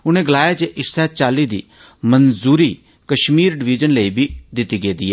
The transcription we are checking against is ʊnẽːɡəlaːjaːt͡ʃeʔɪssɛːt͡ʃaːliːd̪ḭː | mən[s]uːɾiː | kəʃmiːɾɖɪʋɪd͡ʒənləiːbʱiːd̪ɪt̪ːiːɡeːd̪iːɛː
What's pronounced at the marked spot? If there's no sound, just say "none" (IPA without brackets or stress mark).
z